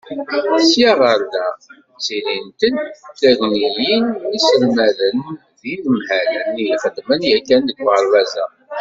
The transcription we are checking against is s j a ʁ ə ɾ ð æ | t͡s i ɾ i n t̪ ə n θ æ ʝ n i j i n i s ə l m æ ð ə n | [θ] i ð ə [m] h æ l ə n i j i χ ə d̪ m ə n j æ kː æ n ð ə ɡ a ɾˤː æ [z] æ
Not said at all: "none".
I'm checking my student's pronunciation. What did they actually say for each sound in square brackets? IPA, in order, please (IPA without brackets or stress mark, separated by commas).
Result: ð, m, z